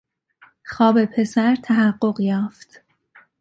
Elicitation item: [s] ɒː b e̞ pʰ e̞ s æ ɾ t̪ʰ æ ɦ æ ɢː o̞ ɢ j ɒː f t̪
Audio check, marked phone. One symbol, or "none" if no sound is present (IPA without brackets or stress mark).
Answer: x